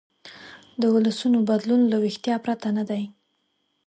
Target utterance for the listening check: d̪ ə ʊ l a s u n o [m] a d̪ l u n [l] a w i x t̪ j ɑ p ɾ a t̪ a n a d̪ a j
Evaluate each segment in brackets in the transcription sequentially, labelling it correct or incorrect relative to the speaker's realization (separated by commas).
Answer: incorrect, correct